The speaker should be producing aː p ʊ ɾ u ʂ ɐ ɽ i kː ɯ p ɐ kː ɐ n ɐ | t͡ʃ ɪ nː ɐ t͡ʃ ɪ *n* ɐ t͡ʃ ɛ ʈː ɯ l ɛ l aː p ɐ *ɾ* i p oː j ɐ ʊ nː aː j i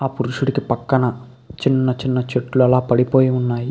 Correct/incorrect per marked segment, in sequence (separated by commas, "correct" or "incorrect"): incorrect, incorrect